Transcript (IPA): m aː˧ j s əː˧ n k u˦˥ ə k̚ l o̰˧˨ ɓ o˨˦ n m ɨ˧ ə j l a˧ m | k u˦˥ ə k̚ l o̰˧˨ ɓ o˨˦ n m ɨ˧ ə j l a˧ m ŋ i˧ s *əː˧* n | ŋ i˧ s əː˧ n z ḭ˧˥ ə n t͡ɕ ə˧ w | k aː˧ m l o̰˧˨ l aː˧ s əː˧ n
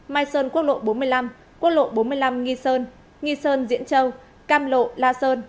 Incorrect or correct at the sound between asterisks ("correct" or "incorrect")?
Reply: correct